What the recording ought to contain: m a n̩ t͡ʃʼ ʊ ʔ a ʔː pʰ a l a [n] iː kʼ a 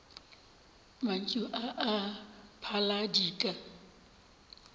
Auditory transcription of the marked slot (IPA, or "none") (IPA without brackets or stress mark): d